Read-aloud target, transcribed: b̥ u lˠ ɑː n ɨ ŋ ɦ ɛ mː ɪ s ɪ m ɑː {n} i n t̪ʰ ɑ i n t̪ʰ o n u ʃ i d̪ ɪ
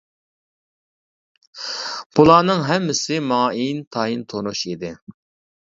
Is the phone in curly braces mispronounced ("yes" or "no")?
yes